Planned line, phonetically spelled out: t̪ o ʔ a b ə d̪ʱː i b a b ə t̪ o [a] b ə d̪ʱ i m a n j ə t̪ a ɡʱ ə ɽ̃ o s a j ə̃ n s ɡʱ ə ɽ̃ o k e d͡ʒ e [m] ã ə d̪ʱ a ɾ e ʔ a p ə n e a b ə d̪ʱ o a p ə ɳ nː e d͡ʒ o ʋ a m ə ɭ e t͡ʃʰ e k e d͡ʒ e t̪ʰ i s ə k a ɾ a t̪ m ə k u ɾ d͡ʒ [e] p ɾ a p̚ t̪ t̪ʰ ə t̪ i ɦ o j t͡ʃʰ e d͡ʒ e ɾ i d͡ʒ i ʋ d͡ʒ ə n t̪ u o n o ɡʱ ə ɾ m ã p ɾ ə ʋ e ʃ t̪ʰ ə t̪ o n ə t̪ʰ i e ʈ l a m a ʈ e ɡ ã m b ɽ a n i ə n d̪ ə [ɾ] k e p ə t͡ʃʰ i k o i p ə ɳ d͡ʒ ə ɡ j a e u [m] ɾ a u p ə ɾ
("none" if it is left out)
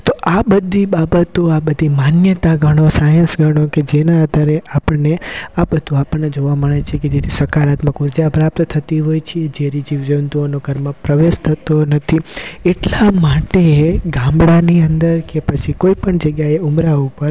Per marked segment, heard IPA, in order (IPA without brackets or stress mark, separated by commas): a, n, a, ɾ, m